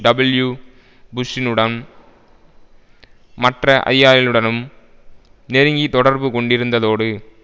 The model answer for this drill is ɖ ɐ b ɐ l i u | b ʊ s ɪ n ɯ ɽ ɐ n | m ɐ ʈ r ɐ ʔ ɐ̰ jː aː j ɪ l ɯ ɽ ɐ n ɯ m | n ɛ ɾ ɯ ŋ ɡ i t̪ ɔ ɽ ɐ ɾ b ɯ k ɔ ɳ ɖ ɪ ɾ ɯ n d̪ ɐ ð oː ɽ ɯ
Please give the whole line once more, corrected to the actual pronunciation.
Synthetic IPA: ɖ ɐ b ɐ l j u | b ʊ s ɪ n ɯ ɽ ɐ n | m ɐ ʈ r ɐ ʔ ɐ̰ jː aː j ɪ l ɯ ɽ ɐ n ɯ m | n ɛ ɾ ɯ ŋ ɡ i t̪ ɔ ɽ ɐ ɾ b ɯ k ɔ ɳ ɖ ɪ ɾ ɯ n d̪ ɐ ð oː ɽ ɯ